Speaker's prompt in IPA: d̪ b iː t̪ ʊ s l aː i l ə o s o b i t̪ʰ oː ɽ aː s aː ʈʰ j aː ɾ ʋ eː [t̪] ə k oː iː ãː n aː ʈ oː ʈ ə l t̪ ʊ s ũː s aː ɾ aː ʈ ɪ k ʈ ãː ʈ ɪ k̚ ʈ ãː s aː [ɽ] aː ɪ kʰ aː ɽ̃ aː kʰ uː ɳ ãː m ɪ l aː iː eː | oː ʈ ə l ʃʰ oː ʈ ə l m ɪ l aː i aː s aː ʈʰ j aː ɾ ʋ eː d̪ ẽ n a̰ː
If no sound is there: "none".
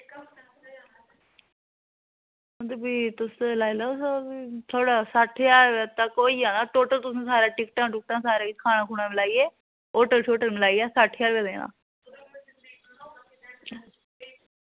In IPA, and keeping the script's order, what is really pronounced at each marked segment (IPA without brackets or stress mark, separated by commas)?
t̪, ɾ